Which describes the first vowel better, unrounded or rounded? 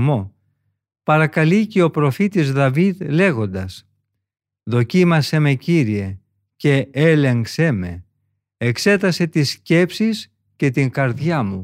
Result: rounded